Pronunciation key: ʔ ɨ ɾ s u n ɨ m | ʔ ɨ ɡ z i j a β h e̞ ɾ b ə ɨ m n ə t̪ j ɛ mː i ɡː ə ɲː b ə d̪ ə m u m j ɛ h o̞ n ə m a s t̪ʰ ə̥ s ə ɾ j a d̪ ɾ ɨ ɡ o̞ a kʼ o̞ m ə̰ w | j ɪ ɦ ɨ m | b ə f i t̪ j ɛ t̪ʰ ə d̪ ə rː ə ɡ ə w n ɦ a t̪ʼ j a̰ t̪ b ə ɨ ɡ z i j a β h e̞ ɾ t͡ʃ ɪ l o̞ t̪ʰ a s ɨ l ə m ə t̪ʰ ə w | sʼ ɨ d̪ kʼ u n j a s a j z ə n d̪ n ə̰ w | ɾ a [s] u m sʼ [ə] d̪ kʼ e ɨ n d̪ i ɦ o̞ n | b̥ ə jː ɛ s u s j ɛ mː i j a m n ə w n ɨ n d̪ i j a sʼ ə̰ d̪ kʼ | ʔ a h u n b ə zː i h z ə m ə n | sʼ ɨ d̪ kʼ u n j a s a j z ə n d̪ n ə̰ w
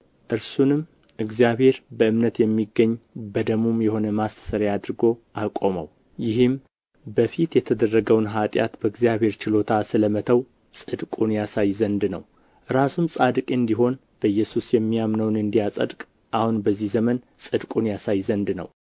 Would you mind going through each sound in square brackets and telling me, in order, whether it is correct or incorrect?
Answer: correct, incorrect

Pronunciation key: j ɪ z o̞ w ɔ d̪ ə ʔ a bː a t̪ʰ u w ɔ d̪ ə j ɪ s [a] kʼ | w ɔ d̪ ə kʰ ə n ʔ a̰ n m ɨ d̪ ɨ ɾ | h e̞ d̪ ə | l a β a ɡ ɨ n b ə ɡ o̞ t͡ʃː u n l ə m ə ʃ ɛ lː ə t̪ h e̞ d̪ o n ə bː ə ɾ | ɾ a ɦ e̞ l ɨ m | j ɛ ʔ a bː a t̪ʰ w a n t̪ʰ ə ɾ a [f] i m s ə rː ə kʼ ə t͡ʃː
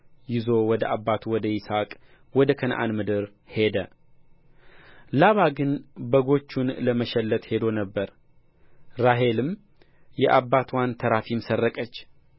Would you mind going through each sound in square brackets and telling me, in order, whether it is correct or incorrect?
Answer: correct, correct

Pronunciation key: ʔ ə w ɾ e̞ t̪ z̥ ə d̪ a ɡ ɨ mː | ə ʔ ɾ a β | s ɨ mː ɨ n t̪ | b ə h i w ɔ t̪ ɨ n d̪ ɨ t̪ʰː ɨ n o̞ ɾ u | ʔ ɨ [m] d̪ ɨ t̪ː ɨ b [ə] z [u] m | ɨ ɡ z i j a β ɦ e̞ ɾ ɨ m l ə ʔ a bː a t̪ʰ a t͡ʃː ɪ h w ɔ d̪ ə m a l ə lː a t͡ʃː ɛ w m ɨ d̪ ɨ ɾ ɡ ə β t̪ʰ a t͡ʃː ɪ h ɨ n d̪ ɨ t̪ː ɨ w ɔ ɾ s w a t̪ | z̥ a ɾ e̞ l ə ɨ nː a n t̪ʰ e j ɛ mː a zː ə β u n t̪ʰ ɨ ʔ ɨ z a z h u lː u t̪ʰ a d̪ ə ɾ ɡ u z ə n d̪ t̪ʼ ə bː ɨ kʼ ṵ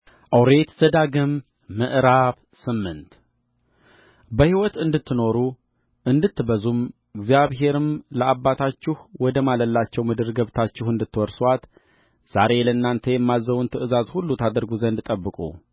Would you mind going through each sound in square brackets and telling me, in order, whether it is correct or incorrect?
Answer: incorrect, correct, correct

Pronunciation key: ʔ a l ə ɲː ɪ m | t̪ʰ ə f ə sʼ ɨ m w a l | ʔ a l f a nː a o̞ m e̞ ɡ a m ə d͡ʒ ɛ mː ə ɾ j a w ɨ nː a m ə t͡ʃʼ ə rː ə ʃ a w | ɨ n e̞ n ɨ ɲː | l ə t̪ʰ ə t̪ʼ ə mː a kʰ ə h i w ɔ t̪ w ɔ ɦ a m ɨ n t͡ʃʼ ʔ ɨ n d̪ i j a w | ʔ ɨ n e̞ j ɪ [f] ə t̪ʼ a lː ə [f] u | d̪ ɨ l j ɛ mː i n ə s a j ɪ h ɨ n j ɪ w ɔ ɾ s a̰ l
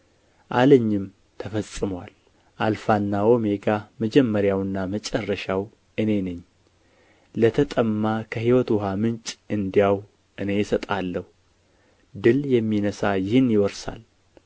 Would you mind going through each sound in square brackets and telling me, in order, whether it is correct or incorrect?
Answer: incorrect, incorrect

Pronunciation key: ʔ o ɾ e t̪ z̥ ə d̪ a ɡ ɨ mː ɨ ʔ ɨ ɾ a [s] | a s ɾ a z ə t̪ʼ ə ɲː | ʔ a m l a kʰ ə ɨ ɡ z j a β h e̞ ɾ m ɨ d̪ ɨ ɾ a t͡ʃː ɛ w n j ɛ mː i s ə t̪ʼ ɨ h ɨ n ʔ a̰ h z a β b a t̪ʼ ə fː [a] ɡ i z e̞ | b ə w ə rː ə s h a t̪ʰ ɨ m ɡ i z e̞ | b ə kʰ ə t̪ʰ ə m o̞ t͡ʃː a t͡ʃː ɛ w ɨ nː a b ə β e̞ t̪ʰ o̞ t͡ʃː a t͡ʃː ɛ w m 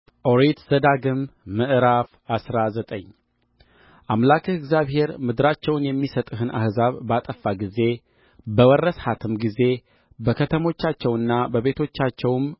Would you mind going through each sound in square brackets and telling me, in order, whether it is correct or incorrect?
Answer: incorrect, correct

